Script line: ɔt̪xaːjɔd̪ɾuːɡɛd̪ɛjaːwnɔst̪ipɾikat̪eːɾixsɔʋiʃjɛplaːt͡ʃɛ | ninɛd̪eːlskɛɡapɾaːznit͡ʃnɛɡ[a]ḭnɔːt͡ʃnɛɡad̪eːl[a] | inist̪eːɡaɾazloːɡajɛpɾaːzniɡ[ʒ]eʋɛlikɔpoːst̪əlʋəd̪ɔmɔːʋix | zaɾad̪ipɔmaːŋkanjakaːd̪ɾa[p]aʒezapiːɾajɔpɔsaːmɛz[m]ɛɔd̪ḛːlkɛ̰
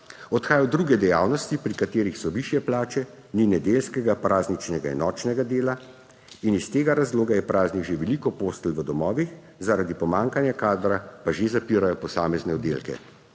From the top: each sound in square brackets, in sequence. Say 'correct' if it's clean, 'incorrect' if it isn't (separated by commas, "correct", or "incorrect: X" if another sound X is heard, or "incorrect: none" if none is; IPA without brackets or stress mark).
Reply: correct, correct, correct, correct, incorrect: n